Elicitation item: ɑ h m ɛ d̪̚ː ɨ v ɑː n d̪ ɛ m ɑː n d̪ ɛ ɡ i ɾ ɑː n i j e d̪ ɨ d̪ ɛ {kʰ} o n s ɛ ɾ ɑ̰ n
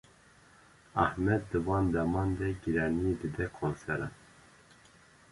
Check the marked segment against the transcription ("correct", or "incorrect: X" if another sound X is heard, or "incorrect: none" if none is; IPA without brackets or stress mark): correct